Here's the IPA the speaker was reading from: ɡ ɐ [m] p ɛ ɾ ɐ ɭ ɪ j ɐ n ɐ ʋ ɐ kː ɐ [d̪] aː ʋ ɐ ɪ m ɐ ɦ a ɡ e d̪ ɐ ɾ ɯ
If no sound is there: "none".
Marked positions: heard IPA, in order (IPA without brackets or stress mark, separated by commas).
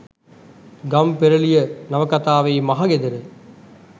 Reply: m, t̪